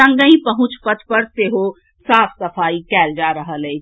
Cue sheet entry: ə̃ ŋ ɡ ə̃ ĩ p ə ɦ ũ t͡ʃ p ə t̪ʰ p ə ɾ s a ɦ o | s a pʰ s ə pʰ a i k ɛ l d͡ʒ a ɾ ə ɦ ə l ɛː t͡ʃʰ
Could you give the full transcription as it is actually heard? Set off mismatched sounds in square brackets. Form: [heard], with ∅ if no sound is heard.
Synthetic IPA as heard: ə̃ ŋ ɡ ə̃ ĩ p ə ɦ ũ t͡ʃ p ə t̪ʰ p ə ɾ s [e] ɦ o | s a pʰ s ə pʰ a i k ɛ l d͡ʒ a ɾ ə ɦ ə l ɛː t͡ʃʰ